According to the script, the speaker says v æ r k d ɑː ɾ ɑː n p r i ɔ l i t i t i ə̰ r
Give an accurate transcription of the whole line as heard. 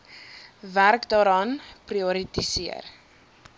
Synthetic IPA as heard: v æ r k d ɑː ɾ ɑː n p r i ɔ ɾ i t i s i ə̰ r